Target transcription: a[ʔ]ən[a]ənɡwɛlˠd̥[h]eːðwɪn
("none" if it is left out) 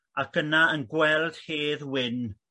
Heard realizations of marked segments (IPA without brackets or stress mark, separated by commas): k, a, h